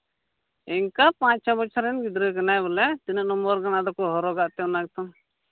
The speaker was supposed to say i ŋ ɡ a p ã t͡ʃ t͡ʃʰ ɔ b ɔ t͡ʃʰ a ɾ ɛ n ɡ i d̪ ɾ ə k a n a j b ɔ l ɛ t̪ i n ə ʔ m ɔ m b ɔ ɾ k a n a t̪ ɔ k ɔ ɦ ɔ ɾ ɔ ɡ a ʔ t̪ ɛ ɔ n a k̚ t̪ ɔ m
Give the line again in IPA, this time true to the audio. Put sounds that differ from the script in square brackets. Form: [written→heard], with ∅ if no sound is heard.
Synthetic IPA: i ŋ [ɡ→k] a p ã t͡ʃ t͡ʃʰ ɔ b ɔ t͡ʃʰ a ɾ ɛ n ɡ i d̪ ɾ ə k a n a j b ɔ l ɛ t̪ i n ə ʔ [m→n] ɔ m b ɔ ɾ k a n a [t̪→d̪] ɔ k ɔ ɦ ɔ ɾ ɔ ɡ a ʔ t̪ ɛ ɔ n a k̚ t̪ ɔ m